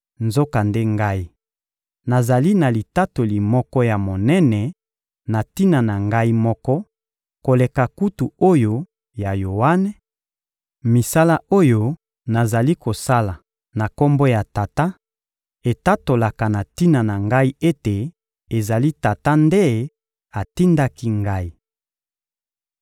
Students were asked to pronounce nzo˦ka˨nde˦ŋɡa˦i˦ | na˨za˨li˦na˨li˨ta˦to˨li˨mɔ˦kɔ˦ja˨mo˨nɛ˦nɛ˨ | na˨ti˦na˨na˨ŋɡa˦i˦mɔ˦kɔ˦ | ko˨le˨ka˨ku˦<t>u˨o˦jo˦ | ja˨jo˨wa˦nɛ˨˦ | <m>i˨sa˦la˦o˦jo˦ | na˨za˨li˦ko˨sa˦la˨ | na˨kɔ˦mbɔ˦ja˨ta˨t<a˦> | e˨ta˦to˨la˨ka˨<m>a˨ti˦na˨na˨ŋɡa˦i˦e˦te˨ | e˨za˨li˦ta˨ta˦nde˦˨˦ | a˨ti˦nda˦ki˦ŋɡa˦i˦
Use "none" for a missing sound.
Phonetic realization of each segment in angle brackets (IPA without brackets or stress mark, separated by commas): t, m, a˦, n